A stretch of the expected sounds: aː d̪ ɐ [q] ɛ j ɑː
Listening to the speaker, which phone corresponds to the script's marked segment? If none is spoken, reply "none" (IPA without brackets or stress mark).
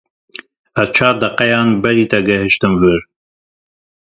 q